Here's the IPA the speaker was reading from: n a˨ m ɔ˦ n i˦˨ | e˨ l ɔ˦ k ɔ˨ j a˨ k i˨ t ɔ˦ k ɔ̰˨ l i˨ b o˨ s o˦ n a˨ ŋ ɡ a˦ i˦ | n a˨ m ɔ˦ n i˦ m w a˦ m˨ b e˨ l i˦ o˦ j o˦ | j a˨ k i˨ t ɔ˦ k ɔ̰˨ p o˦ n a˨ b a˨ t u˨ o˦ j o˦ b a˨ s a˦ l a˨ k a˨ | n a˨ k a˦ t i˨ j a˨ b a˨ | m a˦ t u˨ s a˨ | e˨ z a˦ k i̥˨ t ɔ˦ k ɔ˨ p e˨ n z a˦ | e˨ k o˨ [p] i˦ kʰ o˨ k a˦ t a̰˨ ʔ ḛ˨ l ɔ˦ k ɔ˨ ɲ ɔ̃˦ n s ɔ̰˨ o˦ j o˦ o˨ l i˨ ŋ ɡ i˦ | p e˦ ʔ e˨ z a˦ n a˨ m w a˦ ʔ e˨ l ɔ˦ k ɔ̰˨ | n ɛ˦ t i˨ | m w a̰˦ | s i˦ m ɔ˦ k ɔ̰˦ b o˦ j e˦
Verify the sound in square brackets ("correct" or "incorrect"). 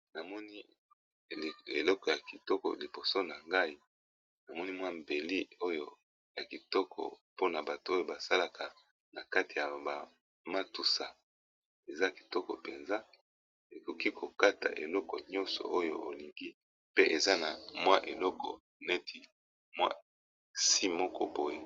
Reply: incorrect